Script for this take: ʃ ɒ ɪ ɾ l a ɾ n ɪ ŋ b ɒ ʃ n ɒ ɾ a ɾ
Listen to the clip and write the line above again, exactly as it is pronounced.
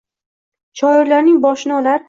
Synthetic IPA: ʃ ɒ ɪ ɾ l a ɾ n ɪ ŋ b ɒ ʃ n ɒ l a ɾ